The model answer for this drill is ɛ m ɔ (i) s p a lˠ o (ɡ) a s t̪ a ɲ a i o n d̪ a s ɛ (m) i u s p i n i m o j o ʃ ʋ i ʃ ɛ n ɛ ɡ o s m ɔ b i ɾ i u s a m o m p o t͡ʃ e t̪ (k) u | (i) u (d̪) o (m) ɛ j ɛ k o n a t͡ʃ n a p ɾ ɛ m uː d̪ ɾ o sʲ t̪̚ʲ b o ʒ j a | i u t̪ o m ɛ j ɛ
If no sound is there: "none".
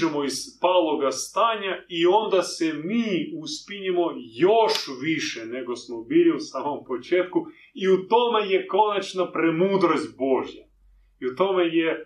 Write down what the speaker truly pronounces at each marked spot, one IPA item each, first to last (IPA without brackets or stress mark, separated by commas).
i, ɡ, m, k, i, t̪, m